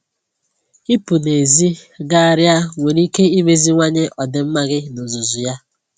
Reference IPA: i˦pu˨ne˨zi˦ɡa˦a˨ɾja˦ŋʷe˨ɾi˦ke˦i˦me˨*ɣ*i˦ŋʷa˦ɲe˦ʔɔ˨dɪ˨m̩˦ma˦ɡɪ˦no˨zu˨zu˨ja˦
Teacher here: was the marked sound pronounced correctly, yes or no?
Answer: no